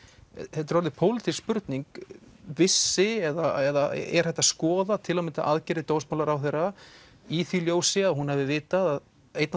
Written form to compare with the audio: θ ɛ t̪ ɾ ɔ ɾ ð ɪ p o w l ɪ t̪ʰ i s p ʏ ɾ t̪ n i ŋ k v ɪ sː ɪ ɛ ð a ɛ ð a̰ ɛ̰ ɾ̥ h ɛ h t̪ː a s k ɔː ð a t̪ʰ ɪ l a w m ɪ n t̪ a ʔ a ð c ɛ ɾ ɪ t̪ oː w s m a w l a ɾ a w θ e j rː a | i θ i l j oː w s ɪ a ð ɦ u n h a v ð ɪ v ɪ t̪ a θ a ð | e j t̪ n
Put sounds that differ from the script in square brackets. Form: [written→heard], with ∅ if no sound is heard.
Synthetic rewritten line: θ ɛ t̪ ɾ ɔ ɾ ð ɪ [p→pʰ] o w l ɪ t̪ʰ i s p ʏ ɾ t̪ n i ŋ k v ɪ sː ɪ ɛ ð a ɛ ð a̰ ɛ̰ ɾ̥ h ɛ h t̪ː a s k ɔː ð a t̪ʰ ɪ l a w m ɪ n t̪ a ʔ a ð c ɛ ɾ ɪ t̪ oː w s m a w l a ɾ a w θ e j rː a | i θ i l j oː w s ɪ a ð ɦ u n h a v ð ɪ v [ɪ→ɪː] t̪ a [θ→ð] a ð | e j t̪ n

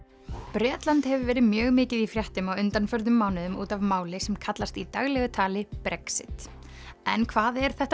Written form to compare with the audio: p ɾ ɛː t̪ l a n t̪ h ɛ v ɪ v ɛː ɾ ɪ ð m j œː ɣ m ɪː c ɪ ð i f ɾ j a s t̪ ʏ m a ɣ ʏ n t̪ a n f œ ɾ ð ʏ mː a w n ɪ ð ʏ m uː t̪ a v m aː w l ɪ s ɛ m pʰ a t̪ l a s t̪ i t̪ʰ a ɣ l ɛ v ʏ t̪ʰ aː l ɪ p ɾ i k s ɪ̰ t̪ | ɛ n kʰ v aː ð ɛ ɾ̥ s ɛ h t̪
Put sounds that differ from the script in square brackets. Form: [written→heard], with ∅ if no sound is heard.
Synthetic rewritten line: p ɾ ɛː t̪ l a n t̪ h ɛ v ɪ v ɛː ɾ ɪ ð m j œː ɣ m ɪː c ɪ ð i f ɾ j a [s→h] t̪ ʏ m a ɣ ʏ n t̪ a n f œ ɾ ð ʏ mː a w n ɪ ð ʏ m uː t̪ a v m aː w l ɪ s ɛ m [pʰ→kʰ] a t̪ l a s t̪ i [t̪ʰ→t̪] a ɣ l ɛ [v→ɣ] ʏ t̪ʰ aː l ɪ p ɾ [i→ɛ] k s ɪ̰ t̪ | ɛ n kʰ v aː ð ɛ ɾ̥ [s→θ] ɛ h t̪

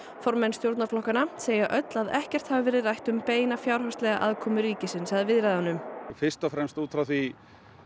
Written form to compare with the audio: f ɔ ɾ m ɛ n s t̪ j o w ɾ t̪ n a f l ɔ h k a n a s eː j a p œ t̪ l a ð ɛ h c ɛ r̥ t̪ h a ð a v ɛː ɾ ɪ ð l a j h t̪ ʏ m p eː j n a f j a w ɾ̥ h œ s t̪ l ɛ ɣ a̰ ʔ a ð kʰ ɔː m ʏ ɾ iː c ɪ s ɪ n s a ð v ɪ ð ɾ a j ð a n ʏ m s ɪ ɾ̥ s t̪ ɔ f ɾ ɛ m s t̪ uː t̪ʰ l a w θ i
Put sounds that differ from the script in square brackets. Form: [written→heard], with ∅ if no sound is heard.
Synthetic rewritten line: f ɔ ɾ m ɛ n s t̪ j o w ɾ t̪ n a f l ɔ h k a n a s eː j a [p→ʔ] œ t̪ l a ð ɛ h c ɛ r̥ t̪ h a [ð→v] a v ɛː ɾ ɪ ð [l→r] a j h t̪ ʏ m p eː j n a f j a w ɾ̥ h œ s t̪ l ɛ ɣ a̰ ʔ a ð kʰ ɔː m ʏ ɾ iː c ɪ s ɪ n s a ð v ɪ ð ɾ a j ð a n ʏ m [s→f] ɪ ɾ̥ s t̪ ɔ f ɾ ɛ m s t̪ uː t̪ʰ [l→ɾ] a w θ i

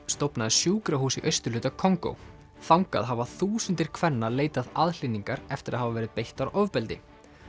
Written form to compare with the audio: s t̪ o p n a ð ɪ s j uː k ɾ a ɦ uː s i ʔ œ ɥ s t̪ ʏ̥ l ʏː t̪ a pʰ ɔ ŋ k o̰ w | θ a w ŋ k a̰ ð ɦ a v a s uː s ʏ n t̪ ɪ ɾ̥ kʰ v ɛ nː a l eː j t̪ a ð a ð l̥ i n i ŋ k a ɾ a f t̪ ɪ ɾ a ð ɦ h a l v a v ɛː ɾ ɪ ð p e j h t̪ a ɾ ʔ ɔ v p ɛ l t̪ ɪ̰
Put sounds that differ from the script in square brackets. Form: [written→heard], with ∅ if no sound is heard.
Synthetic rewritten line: s t̪ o p n a ð ɪ s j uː k ɾ a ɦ uː s i ʔ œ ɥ s t̪ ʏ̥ l ʏː t̪ a [pʰ→kʰ] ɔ ŋ k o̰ w | θ a w ŋ k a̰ ð ɦ a v a [s→θ] uː s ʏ n t̪ ɪ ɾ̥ kʰ v ɛ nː a l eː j t̪ a ð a ð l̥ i n i ŋ k a ɾ [a→ɛ] f t̪ ɪ ɾ a ð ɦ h a [l→∅] v a v ɛː ɾ ɪ ð p e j h t̪ a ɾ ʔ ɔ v p ɛ l t̪ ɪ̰

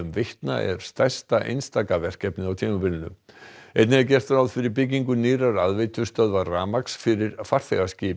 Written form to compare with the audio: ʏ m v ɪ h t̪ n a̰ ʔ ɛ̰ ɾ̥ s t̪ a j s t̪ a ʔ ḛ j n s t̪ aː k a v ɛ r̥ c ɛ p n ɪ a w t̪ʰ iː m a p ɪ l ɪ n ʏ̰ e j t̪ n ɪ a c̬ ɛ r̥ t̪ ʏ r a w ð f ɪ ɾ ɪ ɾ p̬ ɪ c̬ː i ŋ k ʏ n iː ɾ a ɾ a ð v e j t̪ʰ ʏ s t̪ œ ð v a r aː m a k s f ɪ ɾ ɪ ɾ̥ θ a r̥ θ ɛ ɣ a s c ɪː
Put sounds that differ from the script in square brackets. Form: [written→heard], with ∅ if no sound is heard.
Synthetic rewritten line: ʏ m v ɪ h t̪ n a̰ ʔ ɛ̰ ɾ̥ s t̪ a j s t̪ a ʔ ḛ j n s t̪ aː k a v ɛ r̥ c ɛ p n ɪ a w t̪ʰ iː m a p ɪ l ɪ n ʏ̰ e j t̪ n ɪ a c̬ ɛ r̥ t̪ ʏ [r→ɾ] a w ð f ɪ ɾ ɪ ɾ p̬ ɪ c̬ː i ŋ k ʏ n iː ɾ a ɾ a ð v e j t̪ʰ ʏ s t̪ œ ð v a r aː m a k s f ɪ ɾ ɪ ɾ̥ [θ→f] a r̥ θ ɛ ɣ a s c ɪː

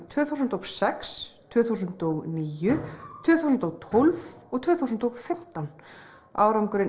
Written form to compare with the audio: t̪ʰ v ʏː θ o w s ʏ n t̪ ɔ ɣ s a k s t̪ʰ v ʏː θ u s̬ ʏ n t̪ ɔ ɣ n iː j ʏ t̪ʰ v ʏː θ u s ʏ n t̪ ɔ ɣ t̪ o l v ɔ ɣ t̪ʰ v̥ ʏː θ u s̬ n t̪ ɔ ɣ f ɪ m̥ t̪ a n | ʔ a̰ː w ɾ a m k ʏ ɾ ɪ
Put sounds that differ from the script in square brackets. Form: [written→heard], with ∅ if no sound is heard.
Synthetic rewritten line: t̪ʰ v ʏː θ [o→u] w s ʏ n t̪ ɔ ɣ s [a→ɛ] k s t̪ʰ v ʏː θ u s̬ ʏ n t̪ ɔ ɣ n iː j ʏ t̪ʰ v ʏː θ u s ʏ n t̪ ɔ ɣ [t̪→t̪ʰ] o l v ɔ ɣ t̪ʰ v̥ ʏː θ u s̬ n t̪ ɔ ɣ f ɪ m̥ t̪ a n | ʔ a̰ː w ɾ a m k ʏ ɾ ɪ

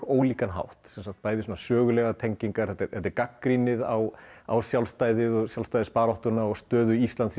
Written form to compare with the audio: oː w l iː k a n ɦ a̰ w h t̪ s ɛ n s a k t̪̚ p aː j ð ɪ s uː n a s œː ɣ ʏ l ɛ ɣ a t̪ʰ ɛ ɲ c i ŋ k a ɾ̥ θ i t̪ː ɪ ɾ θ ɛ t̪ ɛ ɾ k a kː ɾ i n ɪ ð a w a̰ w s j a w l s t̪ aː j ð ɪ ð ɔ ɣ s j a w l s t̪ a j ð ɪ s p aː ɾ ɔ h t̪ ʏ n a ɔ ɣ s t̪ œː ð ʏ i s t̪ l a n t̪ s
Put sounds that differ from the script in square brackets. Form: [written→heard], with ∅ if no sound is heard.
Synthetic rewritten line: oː w l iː k a n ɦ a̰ w h t̪ s ɛ n s a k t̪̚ p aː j ð ɪ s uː n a s œː ɣ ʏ l ɛ ɣ a t̪ʰ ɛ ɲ c i ŋ k a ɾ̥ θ [i→ɛ] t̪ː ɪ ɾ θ ɛ t̪ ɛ ɾ k a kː ɾ i n ɪ ð a w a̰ w s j a w l s t̪ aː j ð ɪ ð ɔ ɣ s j a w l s t̪ a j ð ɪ s p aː ɾ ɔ h t̪ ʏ n a ɔ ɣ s t̪ œː ð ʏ i s t̪ l a n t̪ s

